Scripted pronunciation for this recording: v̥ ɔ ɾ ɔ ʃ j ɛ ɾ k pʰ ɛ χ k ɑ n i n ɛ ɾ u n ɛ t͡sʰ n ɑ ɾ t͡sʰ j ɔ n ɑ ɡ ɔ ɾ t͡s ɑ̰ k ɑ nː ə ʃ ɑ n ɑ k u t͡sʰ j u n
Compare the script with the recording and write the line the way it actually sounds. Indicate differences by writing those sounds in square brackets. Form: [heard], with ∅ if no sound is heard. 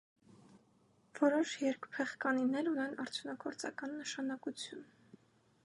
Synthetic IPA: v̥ ɔ ɾ ɔ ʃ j ɛ ɾ k pʰ ɛ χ k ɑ n i n ɛ ɾ u n ɛ [∅] n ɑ ɾ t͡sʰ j [u] n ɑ ɡ ɔ ɾ t͡s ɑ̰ k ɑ nː ə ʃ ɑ n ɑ k u t͡sʰ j u n